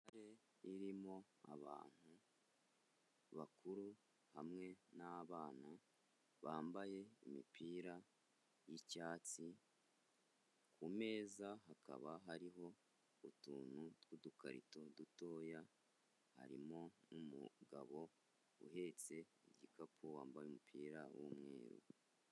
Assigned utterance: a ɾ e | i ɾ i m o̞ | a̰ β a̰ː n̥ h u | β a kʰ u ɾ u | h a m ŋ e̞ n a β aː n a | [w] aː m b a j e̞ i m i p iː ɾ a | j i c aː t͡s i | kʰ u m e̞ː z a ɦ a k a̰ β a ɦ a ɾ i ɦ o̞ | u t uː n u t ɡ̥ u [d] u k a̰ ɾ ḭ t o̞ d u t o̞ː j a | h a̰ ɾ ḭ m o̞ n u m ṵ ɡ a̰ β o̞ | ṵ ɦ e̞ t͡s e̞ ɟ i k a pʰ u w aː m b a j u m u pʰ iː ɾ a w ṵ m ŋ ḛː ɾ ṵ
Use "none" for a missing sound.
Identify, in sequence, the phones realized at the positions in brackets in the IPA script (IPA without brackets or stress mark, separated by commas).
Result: β, d